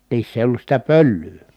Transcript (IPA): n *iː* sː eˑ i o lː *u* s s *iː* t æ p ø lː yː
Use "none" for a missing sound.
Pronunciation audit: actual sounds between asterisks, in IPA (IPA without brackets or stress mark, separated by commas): iː, u, i